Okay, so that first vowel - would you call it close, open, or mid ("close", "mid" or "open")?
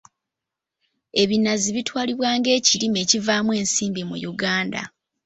mid